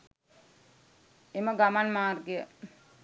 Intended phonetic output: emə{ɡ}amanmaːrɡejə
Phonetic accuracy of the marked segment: correct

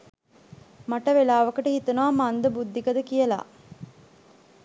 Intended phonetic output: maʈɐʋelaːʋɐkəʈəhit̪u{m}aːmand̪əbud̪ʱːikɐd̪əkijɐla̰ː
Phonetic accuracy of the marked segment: incorrect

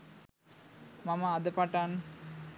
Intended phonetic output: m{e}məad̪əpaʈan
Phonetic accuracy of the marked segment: incorrect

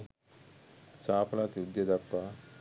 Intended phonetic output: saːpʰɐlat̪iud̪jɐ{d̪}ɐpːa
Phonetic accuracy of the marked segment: correct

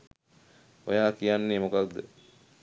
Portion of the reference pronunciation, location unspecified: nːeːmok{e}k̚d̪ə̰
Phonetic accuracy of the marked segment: incorrect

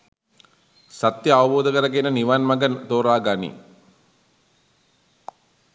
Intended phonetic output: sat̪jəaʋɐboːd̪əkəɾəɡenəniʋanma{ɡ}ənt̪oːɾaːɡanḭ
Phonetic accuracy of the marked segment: correct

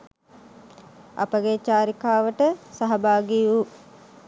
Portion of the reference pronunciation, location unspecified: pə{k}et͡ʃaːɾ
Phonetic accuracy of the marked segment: incorrect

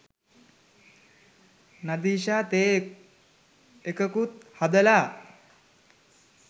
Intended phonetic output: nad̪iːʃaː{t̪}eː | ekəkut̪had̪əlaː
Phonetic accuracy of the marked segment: correct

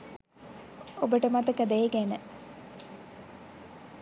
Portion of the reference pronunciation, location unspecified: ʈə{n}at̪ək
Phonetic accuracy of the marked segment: incorrect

